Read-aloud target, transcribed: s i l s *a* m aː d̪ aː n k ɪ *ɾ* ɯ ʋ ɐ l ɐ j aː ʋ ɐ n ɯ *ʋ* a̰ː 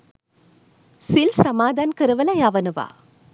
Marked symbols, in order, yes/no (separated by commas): no, yes, yes